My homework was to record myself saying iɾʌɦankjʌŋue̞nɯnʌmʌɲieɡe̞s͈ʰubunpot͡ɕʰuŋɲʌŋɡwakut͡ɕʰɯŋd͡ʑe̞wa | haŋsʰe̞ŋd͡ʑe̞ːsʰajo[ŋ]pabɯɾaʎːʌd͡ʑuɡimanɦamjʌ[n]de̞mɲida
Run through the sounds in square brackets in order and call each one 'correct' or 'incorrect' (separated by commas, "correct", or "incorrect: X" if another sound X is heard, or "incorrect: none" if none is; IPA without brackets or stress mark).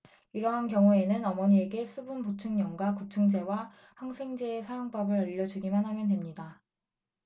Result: correct, correct